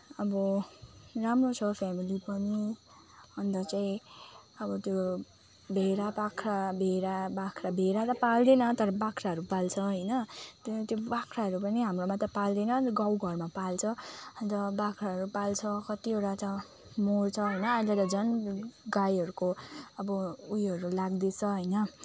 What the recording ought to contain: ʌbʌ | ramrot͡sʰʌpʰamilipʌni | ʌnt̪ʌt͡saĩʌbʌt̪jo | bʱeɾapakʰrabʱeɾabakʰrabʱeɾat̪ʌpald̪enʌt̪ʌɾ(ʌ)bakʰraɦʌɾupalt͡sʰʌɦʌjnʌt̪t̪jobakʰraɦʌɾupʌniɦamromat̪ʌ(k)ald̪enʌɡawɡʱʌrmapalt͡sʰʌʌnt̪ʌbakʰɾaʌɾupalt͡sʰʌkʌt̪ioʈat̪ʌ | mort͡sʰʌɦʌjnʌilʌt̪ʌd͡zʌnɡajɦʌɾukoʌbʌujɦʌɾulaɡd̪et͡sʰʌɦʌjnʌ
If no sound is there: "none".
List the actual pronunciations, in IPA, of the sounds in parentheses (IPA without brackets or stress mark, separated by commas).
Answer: ʌ, p